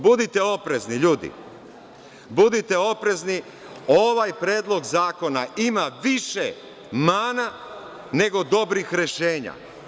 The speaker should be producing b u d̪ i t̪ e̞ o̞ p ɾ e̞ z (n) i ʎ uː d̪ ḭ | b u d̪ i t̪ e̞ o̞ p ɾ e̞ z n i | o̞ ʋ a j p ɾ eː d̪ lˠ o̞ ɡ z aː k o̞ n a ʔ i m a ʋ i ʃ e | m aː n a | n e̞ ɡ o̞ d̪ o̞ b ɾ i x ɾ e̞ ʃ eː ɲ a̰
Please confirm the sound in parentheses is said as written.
yes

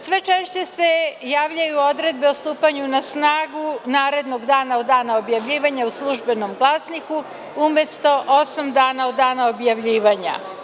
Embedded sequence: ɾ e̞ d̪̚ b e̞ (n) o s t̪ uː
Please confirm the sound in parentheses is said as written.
no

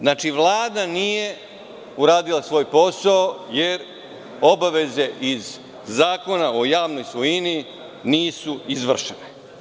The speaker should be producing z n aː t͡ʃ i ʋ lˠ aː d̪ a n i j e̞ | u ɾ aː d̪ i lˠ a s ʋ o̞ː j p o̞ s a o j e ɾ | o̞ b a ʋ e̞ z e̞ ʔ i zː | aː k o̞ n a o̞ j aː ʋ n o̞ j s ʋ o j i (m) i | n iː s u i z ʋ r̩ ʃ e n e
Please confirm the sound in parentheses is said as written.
no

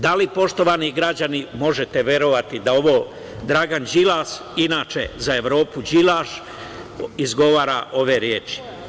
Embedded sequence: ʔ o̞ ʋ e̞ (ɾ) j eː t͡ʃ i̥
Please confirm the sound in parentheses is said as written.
yes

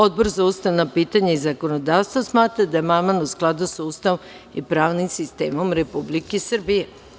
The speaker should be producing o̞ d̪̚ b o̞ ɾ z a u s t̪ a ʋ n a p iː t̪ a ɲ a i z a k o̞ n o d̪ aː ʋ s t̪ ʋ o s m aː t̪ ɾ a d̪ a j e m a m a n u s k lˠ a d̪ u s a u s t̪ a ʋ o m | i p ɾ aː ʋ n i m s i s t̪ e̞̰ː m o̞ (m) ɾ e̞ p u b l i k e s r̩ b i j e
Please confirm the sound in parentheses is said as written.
yes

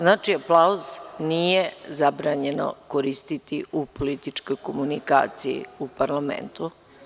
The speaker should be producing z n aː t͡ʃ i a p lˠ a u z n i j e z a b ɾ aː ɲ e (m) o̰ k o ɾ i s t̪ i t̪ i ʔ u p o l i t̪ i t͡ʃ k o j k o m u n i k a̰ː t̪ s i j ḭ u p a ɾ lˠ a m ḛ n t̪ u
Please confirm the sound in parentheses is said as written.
no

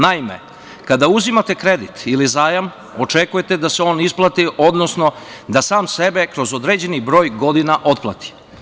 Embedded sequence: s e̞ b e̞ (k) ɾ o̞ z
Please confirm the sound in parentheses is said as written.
yes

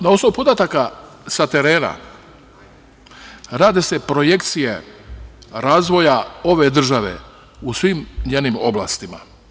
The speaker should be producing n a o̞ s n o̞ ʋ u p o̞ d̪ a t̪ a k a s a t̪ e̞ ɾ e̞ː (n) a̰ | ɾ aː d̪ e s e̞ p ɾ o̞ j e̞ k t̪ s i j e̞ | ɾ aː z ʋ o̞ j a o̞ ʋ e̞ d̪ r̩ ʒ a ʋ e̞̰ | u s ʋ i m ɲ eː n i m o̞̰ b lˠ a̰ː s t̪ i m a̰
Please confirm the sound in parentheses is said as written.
yes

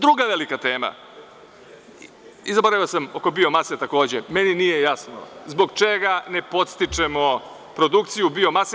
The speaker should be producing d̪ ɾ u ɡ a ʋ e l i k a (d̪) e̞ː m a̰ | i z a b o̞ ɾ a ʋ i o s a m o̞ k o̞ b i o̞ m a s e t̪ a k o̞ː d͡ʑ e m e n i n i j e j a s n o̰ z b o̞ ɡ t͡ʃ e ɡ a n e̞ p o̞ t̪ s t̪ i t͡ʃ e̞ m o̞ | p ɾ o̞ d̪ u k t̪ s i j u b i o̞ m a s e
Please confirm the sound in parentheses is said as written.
no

